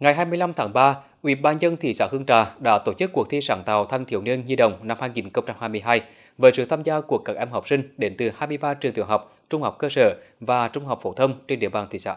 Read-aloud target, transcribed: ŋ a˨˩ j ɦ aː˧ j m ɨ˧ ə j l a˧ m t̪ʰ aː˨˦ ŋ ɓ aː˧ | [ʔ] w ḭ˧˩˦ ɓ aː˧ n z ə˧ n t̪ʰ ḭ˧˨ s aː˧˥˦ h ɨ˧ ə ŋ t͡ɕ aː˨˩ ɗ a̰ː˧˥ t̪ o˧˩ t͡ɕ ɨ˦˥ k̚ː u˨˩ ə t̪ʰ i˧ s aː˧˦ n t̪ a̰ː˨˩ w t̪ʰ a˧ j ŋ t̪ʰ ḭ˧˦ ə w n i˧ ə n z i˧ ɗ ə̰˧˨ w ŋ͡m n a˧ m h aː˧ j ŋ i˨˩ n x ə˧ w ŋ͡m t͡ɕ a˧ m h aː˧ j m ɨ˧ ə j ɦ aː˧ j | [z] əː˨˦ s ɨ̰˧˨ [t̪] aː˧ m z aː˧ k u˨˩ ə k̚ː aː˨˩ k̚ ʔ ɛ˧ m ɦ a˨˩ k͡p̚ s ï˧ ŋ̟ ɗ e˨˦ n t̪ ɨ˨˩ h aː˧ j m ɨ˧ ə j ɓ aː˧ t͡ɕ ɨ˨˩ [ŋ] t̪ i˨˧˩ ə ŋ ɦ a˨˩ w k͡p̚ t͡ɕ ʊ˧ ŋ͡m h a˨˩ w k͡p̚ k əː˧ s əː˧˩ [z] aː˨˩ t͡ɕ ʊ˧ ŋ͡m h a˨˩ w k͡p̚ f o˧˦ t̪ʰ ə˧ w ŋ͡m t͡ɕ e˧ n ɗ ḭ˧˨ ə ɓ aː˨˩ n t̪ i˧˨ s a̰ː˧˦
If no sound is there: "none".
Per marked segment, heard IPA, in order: ʔ, v, t̪ʰ, ŋ, v

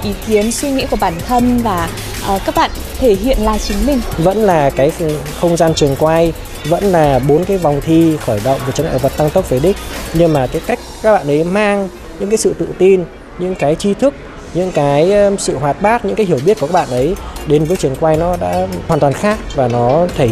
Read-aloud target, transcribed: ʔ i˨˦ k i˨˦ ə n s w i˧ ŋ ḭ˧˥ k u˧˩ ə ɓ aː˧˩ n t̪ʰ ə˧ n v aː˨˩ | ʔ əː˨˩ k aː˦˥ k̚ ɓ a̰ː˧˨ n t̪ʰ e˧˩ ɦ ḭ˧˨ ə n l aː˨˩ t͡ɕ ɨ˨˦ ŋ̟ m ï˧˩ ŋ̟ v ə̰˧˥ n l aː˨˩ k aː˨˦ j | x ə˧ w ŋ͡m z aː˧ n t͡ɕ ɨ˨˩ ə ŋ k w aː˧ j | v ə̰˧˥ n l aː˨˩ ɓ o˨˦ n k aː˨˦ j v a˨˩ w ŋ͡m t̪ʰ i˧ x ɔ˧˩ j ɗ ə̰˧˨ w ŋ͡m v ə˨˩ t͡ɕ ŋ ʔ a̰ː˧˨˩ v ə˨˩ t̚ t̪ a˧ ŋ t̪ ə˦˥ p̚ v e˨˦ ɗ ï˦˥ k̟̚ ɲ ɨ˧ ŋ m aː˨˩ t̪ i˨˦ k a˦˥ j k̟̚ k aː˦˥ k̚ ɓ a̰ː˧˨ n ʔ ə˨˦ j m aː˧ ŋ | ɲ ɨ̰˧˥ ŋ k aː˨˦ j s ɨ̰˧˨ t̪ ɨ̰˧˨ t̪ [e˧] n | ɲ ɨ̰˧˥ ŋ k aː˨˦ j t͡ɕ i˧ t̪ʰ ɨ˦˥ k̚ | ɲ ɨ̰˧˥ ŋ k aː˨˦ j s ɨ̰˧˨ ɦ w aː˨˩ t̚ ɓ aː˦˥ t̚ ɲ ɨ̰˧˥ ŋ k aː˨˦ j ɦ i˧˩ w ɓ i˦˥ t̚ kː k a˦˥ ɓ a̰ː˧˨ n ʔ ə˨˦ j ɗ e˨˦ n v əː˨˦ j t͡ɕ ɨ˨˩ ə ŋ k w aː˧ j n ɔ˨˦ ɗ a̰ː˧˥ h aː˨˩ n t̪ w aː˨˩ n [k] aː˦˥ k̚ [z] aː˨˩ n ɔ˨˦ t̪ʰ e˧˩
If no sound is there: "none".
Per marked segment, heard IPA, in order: i˧, x, v

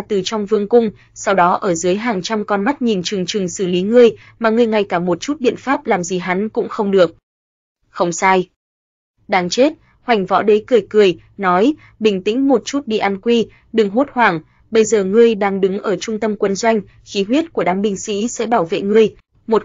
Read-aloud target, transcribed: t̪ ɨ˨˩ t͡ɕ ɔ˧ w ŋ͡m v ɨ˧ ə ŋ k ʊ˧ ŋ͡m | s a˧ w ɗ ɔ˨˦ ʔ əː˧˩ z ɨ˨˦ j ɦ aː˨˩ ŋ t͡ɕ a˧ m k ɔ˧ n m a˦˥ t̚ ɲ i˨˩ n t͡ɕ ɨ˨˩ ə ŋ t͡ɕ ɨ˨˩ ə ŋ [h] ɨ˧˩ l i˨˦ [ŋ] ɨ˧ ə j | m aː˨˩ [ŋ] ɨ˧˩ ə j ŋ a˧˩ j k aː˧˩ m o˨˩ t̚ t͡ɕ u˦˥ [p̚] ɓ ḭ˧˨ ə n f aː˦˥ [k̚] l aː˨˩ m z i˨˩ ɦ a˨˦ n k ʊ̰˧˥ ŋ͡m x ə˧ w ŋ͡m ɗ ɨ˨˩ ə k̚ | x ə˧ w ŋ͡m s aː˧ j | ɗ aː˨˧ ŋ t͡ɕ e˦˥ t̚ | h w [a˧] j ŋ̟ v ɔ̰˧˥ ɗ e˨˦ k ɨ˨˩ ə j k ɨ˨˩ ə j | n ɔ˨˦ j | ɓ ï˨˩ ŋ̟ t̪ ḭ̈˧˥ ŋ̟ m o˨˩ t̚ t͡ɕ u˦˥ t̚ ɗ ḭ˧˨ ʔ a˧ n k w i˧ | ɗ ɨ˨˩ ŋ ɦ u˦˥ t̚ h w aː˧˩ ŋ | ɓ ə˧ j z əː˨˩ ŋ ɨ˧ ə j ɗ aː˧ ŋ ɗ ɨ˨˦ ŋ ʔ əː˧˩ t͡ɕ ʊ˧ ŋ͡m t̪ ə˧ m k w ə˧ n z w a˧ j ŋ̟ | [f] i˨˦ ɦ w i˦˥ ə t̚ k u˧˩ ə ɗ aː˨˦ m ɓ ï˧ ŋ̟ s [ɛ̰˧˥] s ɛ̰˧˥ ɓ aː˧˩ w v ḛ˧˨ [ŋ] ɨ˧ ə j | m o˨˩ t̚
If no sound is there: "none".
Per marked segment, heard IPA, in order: s, ŋ, ŋ, t̚, p̚, a˨˩, x, ḭ˧˥, ŋ

